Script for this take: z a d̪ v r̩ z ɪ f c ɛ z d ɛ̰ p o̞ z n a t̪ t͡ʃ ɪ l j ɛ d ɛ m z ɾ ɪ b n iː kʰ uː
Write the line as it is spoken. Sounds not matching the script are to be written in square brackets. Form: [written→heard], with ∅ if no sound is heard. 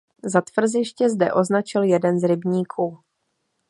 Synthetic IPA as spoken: z a [d̪→t̪] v r̩ z ɪ [f→ʃ] c ɛ z d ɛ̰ [p→ʔ] o̞ z n a [t̪→∅] t͡ʃ ɪ l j ɛ d ɛ [m→n] z ɾ ɪ b [n→ɲ] iː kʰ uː